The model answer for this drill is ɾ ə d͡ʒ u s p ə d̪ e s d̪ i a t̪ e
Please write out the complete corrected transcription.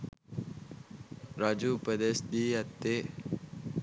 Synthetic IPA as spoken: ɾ a d͡ʒ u p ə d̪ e s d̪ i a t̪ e